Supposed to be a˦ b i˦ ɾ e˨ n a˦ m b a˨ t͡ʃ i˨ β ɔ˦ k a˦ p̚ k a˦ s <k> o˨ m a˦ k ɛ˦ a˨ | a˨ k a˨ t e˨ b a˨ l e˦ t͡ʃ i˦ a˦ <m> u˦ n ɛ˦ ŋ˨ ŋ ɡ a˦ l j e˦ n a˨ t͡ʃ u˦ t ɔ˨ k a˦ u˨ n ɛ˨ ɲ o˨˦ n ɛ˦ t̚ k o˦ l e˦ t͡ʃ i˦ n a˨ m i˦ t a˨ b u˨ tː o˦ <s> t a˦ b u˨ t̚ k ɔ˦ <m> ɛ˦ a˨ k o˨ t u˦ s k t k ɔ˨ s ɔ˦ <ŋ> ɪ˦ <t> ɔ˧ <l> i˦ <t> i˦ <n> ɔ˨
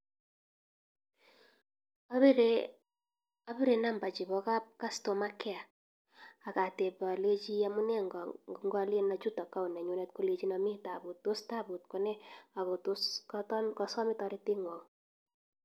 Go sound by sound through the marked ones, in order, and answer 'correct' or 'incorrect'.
incorrect: t, correct, correct, incorrect: n, incorrect: m, correct, incorrect: ɾ, correct, incorrect: ŋ

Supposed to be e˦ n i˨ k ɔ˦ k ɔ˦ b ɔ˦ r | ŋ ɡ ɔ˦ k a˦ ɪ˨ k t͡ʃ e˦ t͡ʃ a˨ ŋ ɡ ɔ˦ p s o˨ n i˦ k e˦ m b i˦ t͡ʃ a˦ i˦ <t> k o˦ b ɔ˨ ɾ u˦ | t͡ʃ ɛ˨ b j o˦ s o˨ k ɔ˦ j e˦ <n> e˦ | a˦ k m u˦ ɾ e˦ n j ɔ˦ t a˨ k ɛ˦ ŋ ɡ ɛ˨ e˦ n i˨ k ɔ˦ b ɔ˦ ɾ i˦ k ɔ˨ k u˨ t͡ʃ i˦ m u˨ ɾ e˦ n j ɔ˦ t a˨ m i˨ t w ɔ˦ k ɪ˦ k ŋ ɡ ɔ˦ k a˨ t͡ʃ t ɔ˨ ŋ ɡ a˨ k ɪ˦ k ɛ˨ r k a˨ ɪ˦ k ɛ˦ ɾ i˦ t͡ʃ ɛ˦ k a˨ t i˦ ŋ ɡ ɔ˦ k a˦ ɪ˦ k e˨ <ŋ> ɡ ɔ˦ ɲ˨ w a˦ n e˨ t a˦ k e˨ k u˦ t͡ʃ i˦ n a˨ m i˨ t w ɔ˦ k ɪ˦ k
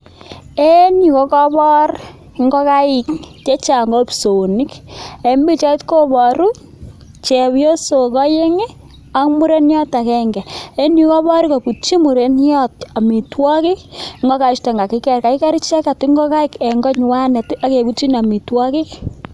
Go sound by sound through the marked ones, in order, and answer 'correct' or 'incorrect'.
correct, incorrect: ŋ, correct

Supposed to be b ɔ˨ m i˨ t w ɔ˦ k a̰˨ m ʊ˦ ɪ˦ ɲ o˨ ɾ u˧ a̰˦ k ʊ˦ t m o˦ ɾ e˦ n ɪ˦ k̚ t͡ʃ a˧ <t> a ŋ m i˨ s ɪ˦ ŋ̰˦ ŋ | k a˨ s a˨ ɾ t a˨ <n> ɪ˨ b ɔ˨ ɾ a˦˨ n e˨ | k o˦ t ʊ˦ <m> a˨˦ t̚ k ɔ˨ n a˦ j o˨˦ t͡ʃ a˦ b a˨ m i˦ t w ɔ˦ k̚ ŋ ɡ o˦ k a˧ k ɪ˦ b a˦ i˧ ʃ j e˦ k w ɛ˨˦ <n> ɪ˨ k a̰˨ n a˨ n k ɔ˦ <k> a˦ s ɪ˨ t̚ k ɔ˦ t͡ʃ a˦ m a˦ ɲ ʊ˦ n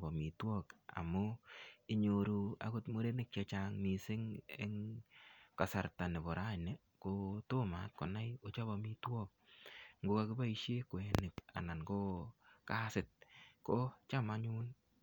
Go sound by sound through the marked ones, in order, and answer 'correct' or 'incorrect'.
incorrect: t͡ʃ, correct, correct, correct, correct

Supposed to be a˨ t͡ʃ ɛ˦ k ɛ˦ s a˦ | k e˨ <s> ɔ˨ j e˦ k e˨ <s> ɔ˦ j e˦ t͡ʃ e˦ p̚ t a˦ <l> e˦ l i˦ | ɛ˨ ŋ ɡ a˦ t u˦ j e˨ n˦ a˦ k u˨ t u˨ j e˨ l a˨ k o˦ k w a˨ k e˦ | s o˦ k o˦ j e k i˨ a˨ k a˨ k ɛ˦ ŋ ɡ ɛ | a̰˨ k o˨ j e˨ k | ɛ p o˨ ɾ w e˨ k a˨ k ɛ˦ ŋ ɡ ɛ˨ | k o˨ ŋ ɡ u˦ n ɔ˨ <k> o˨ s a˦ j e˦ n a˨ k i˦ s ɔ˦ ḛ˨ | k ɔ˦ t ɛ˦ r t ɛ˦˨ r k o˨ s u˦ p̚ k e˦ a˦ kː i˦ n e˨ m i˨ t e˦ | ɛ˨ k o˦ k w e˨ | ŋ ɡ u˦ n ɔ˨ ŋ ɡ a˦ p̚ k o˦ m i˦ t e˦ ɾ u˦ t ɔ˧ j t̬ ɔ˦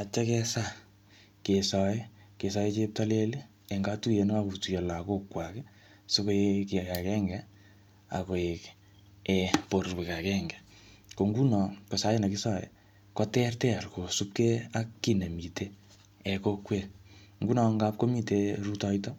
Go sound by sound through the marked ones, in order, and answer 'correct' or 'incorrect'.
correct, correct, correct, correct

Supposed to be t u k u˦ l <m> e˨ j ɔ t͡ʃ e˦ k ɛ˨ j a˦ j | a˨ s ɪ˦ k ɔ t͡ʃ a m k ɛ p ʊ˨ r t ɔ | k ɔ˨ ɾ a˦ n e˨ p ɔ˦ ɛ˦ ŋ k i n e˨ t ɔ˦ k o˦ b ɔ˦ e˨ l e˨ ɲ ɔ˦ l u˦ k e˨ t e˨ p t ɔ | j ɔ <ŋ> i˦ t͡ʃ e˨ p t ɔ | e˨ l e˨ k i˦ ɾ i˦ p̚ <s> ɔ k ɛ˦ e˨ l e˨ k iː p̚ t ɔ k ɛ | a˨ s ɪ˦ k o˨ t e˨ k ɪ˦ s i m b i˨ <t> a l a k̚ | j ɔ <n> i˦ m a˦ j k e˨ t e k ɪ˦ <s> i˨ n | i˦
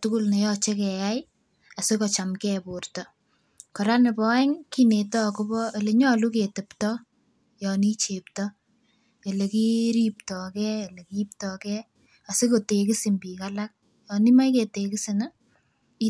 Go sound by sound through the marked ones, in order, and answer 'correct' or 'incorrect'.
incorrect: n, incorrect: n, incorrect: t, incorrect: k, correct, correct

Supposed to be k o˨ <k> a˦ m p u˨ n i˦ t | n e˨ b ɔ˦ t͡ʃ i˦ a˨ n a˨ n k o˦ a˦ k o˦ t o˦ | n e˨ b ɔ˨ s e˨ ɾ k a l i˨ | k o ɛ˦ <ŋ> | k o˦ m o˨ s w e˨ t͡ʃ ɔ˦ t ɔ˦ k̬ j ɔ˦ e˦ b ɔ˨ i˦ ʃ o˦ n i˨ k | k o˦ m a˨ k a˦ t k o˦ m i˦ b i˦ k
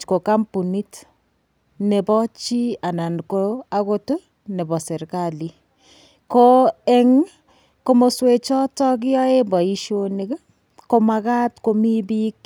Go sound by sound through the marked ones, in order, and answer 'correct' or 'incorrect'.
correct, correct

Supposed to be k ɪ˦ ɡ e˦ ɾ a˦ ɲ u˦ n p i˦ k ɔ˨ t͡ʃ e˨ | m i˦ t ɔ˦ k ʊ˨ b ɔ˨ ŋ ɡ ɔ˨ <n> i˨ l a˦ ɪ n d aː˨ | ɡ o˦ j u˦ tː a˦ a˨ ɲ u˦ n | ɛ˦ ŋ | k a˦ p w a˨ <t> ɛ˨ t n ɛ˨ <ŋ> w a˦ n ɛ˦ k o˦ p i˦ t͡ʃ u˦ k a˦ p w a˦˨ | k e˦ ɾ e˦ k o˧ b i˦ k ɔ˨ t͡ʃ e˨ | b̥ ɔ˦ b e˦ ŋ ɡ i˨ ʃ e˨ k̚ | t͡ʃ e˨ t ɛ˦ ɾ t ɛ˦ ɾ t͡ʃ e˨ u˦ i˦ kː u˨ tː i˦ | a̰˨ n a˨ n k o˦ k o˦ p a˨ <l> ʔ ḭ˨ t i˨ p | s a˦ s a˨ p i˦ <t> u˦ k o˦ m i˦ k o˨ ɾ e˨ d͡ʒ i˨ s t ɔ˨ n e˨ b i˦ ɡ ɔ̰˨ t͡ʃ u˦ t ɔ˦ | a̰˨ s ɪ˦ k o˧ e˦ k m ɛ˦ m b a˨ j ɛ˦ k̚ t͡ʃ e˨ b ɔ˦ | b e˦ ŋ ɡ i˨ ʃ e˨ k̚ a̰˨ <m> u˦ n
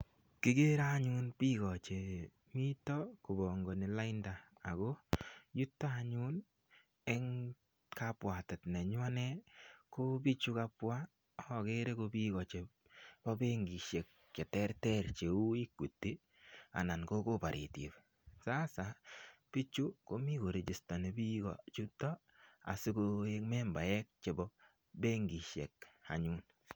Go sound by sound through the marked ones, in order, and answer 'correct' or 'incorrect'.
correct, correct, incorrect: ɲ, incorrect: ɾ, incorrect: t͡ʃ, incorrect: ɲ

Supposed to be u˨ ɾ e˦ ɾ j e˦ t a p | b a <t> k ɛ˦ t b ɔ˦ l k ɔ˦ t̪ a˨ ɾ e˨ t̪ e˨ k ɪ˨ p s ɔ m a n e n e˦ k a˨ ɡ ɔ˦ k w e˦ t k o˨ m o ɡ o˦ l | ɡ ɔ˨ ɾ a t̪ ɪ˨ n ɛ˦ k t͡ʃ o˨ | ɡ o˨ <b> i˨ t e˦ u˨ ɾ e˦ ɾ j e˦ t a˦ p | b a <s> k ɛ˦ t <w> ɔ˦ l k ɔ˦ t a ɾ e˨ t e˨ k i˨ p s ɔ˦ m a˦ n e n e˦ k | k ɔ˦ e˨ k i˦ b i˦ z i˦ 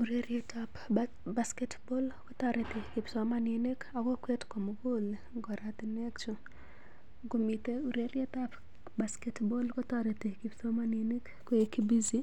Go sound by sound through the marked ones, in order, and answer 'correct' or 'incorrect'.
incorrect: s, incorrect: m, correct, incorrect: b

